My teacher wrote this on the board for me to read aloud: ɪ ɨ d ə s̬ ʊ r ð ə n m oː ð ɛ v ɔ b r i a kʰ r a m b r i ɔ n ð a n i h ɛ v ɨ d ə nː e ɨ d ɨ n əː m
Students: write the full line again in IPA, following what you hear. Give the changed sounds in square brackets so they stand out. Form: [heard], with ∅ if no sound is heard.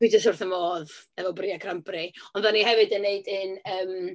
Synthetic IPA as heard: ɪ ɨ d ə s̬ ʊ r [θ] ə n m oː ð ɛ v ɔ b r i a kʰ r a m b r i ɔ n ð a n i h ɛ v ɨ d ə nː e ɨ d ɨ n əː m